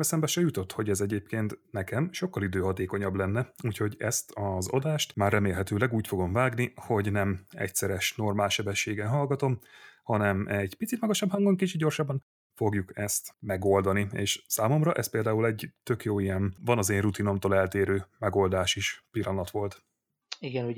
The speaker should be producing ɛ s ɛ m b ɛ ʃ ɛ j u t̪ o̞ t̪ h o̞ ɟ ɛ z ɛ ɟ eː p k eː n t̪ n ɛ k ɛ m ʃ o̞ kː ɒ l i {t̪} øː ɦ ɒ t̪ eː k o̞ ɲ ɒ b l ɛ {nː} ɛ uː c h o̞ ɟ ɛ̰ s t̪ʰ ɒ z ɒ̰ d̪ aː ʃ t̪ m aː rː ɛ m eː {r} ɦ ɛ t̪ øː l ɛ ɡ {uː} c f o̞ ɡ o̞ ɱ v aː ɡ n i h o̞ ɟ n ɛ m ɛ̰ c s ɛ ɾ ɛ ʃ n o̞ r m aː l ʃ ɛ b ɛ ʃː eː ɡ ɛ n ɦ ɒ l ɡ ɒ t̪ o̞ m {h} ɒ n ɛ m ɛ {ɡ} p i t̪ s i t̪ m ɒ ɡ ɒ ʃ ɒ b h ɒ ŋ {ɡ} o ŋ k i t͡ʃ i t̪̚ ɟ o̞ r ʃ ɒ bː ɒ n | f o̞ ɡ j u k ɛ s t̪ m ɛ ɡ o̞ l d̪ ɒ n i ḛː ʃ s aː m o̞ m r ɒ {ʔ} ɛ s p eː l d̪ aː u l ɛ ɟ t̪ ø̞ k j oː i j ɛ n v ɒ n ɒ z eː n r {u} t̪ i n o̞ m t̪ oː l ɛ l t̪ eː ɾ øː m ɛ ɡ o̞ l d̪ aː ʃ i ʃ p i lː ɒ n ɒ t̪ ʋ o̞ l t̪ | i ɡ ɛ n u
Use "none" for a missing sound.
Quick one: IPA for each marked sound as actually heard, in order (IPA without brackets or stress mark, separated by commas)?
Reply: d̪, nː, l, uː, h, ɟ, ɡ, ʔ, u